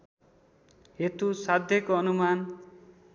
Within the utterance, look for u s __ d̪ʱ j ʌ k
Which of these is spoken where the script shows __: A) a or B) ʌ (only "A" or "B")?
A